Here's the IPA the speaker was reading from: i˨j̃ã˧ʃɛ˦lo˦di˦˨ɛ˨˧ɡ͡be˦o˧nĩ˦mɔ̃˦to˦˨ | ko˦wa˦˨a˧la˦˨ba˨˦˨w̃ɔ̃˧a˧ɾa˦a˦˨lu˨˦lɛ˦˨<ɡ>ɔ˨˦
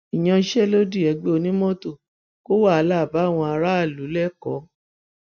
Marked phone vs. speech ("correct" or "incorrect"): incorrect